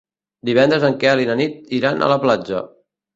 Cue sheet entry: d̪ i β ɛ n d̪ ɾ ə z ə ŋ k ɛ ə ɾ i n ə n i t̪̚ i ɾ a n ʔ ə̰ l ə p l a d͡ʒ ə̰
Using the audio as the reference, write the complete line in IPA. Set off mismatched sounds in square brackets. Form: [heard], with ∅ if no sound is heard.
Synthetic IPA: d̪ i β ɛ n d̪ ɾ ə z ə ŋ k ɛ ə [l] i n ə n i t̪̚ i ɾ a n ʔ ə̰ l ə p l a d͡ʒ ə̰